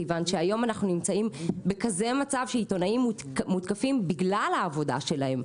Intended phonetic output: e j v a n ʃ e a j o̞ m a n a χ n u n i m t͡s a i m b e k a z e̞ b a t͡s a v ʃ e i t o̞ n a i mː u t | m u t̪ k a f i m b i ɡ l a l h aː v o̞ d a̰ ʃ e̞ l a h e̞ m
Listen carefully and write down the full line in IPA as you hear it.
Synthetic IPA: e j v a n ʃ e a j o̞ m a n a χ n u n i m t͡s a i m b e k a z e̞ m a t͡s a v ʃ e i t o̞ n a i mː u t | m u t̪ k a f i m b i ɡ l a l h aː v o̞ d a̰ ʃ e̞ l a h e̞ m